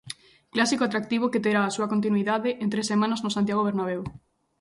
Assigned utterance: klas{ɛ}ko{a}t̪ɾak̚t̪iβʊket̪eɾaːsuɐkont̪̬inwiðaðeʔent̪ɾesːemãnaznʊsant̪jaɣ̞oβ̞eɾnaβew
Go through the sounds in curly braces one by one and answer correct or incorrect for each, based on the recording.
incorrect: i, correct

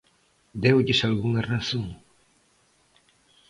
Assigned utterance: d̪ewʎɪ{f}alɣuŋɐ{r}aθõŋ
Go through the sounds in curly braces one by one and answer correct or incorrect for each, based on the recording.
incorrect: s, correct

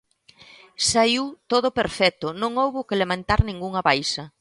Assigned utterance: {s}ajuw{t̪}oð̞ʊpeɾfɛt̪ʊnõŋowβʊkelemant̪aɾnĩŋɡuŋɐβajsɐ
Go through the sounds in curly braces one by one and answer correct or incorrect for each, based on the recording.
correct, correct

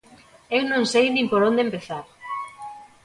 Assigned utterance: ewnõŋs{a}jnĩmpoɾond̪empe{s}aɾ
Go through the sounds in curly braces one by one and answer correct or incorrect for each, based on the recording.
incorrect: e, incorrect: θ

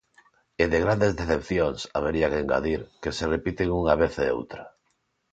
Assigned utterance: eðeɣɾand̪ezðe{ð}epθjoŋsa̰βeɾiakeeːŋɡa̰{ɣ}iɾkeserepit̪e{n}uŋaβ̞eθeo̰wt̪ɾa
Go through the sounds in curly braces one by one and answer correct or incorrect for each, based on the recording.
incorrect: θ, incorrect: ð, incorrect: ŋ

